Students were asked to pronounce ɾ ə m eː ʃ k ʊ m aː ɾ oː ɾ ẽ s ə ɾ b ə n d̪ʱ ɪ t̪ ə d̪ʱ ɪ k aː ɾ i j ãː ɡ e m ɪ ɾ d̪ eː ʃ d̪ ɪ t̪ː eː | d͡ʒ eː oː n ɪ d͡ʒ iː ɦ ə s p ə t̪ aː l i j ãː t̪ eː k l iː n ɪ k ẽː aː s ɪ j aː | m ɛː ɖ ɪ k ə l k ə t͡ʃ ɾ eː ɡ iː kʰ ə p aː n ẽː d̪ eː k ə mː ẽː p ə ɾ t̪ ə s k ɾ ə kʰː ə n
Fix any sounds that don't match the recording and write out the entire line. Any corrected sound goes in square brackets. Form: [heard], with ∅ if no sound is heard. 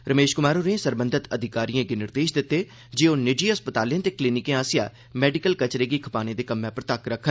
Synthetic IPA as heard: ɾ ə m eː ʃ k ʊ m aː ɾ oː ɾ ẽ s ə ɾ b ə n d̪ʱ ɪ t̪ ə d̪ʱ ɪ k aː ɾ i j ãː ɡ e [n] ɪ ɾ d̪ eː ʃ d̪ ɪ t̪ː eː | d͡ʒ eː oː n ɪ d͡ʒ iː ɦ ə s p ə t̪ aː l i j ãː t̪ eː k l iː n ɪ k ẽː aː s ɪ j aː | m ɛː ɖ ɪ k ə l k ə t͡ʃ ɾ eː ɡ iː kʰ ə p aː n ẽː d̪ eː k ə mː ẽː p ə ɾ t̪ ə [∅] k ɾ ə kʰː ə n